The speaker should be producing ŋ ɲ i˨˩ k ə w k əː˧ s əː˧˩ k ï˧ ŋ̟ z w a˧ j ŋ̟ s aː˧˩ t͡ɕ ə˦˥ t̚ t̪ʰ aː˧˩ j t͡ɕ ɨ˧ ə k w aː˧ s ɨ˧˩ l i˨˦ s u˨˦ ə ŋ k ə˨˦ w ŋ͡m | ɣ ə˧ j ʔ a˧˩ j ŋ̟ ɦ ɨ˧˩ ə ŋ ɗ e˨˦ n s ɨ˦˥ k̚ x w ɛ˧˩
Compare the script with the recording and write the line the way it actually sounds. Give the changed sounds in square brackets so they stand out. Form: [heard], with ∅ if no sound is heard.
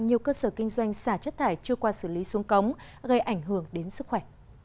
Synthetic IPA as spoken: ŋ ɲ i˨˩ [∅] ə w k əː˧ s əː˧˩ k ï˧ ŋ̟ z w a˧ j ŋ̟ s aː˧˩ t͡ɕ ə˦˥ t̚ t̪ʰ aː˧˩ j t͡ɕ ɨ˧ ə k w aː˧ s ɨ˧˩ l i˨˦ s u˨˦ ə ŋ k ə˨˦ w ŋ͡m | ɣ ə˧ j ʔ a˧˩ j ŋ̟ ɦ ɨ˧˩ ə ŋ ɗ e˨˦ n s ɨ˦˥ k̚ x w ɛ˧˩